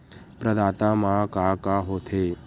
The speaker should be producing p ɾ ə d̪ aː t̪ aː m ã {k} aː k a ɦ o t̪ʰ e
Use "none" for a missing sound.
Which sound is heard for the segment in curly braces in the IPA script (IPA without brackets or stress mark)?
k